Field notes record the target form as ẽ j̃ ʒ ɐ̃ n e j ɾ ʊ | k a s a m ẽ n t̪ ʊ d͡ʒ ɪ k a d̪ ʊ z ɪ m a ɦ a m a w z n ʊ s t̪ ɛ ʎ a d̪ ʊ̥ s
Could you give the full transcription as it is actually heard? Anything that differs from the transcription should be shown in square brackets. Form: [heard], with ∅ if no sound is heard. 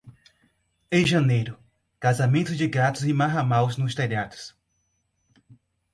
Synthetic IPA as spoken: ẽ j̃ ʒ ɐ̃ n e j ɾ ʊ | k a [z] a m ẽ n t̪ ʊ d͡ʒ ɪ [ɡ] a [t̪] ʊ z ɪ m a ɦ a m a w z n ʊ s t̪ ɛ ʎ a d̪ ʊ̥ s